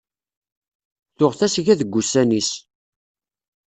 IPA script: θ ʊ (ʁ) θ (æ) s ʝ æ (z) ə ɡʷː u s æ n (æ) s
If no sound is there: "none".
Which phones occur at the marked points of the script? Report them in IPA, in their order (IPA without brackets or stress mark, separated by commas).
ʁ, æ, ð, i